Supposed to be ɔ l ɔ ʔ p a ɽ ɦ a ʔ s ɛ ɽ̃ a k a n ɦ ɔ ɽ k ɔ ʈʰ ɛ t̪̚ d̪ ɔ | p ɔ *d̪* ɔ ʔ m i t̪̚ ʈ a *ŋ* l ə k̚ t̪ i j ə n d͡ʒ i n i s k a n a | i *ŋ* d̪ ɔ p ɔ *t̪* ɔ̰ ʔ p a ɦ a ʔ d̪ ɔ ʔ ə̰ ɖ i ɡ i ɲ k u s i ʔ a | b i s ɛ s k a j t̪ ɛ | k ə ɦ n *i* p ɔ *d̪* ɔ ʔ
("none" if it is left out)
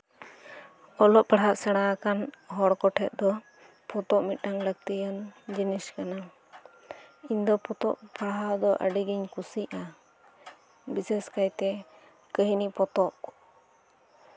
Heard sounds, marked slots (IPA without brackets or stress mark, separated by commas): t̪, ŋ, ɲ, t̪, i, t̪